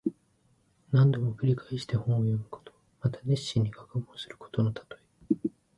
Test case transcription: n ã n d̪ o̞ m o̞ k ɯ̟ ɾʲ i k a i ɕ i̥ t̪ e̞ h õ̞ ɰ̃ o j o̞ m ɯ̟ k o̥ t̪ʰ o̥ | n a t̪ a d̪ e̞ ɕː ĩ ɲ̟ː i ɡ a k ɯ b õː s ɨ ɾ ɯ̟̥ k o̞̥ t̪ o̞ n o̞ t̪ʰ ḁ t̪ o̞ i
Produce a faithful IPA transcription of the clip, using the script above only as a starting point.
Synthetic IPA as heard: n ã n d̪ o̞ m o̞ k ɯ̟ ɾʲ i k a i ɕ i̥ t̪ e̞ h õ̞ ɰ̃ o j o̞ m ɯ̟ k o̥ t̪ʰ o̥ | m a t̪ a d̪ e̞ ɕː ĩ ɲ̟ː i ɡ a k ɯ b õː s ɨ ɾ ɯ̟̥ k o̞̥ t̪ o̞ n o̞ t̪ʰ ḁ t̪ o̞ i